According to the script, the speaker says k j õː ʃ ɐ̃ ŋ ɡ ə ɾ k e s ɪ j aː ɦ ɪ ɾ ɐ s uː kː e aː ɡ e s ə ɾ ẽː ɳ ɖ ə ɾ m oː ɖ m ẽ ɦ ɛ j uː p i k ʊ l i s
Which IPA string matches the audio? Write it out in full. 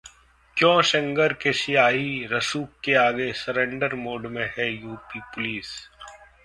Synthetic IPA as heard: k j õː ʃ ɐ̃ ŋ ɡ ə ɾ k e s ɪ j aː ɦ i ɾ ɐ s uː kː e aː ɡ e s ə ɾ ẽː ɳ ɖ ə ɾ m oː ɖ m ẽ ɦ ɛ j uː p i p ʊ l iː s